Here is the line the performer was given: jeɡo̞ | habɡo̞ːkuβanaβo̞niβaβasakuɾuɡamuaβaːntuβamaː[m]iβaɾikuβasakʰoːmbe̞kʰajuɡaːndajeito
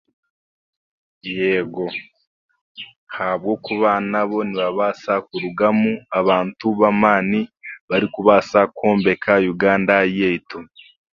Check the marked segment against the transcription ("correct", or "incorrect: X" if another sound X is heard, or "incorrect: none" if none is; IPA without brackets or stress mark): incorrect: n